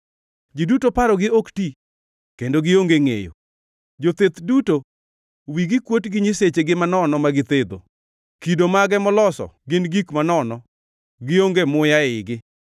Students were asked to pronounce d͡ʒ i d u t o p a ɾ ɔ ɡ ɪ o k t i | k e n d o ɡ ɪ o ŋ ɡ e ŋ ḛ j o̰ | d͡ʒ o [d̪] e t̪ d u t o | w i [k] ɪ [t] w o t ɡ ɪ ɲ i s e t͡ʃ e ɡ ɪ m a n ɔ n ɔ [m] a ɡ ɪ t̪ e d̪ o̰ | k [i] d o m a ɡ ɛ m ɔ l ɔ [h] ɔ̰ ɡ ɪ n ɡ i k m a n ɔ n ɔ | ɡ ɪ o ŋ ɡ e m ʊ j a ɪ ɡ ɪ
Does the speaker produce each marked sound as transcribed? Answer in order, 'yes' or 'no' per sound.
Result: no, no, no, yes, yes, no

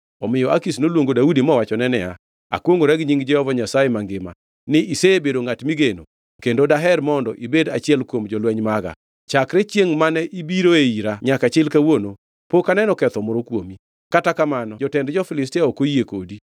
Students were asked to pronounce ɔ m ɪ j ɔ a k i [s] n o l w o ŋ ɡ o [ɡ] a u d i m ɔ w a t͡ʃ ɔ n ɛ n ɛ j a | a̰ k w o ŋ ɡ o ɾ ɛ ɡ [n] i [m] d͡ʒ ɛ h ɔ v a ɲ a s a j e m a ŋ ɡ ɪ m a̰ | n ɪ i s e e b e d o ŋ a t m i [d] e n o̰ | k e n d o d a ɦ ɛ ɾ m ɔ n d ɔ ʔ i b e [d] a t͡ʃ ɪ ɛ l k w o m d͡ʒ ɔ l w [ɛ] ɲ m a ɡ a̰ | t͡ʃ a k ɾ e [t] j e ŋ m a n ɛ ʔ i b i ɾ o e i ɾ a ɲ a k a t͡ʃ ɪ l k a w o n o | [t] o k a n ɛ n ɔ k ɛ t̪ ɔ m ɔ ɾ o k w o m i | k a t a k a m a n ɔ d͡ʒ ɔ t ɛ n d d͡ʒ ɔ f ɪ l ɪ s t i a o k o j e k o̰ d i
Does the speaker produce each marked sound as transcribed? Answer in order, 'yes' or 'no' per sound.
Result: yes, no, no, no, no, yes, yes, no, no

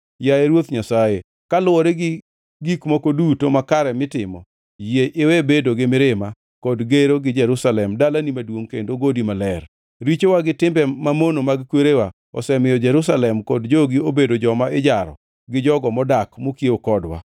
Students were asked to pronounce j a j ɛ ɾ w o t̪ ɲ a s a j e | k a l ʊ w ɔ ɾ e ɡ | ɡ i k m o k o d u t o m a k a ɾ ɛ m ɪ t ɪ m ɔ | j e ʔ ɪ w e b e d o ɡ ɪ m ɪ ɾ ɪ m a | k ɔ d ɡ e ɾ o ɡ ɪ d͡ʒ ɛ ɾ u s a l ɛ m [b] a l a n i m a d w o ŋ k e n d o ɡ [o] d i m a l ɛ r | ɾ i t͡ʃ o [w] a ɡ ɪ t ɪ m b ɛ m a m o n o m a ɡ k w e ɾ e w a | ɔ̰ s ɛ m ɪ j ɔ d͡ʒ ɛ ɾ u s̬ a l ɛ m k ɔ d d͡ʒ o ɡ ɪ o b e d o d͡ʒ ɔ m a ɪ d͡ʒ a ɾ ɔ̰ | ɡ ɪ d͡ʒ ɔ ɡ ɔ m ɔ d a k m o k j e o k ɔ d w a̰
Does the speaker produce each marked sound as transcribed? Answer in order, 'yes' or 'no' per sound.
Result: no, yes, yes

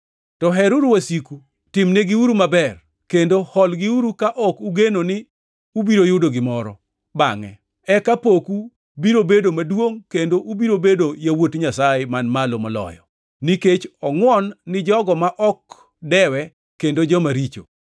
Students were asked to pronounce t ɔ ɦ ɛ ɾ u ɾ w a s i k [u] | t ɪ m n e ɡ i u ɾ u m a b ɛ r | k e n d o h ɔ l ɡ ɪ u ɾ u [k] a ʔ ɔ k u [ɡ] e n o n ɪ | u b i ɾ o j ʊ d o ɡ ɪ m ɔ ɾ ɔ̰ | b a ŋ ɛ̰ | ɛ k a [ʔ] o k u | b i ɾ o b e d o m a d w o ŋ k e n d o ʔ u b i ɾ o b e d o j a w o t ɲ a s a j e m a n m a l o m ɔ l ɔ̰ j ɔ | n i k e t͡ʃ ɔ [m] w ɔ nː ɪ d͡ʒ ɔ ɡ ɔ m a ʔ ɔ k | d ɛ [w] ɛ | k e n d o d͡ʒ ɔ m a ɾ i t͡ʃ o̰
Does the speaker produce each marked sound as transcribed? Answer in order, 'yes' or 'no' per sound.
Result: yes, yes, yes, no, no, yes

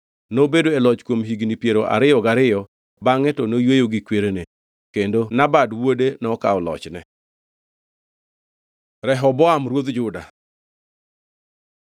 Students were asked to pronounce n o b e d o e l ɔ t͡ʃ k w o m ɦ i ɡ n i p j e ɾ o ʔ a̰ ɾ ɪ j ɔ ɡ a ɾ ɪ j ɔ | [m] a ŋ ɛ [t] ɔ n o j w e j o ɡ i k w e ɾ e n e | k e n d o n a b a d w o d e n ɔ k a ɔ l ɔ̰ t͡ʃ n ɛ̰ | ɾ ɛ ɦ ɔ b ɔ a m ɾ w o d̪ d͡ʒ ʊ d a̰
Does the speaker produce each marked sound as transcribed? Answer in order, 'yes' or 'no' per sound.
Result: no, yes

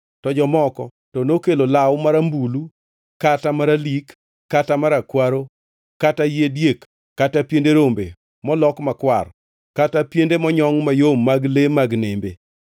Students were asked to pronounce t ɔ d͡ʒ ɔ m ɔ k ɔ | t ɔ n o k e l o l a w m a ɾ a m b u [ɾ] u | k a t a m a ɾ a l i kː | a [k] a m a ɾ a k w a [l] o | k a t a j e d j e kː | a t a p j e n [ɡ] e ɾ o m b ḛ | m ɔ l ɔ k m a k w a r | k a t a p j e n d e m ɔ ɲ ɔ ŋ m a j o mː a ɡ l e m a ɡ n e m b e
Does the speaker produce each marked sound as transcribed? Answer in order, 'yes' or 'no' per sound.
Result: no, no, no, no

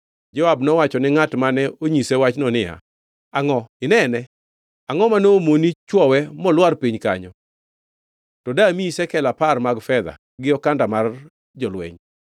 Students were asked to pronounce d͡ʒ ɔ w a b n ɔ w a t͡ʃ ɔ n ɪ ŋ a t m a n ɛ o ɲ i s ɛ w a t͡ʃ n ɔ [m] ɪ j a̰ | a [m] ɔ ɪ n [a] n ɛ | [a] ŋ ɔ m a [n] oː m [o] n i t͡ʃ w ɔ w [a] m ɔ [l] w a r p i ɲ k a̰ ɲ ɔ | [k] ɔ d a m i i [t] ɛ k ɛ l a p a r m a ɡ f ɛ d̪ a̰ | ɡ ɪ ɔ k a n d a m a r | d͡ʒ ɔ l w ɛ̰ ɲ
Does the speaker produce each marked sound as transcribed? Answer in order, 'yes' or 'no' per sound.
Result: no, no, no, yes, yes, yes, no, yes, no, no

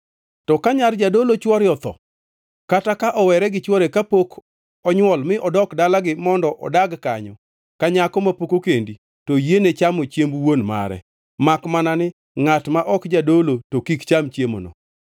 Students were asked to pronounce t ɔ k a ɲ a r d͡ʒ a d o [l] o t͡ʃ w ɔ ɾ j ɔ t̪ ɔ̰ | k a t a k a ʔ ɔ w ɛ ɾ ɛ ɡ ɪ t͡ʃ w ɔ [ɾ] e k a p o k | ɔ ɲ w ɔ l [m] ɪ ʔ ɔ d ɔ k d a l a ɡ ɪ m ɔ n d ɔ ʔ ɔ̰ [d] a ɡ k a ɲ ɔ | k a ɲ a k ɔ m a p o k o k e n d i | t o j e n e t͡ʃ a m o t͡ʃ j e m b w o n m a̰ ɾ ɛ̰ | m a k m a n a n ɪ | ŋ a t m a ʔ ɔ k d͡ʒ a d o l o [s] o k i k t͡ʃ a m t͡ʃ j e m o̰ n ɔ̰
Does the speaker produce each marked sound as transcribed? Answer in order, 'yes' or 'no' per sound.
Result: yes, yes, yes, yes, no

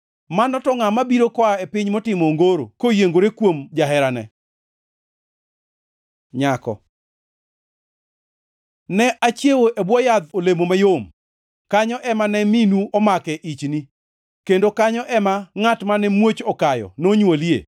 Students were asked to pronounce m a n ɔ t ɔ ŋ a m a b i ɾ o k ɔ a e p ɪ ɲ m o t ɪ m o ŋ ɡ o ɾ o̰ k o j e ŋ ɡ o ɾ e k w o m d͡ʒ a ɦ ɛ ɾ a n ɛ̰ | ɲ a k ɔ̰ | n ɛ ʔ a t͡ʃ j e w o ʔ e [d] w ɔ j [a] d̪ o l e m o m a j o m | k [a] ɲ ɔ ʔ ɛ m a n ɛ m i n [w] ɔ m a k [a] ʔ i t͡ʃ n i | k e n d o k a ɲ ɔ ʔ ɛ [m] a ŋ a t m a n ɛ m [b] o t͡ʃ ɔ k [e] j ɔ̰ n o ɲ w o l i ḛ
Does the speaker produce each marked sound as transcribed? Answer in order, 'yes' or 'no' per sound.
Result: no, yes, yes, no, no, yes, no, no

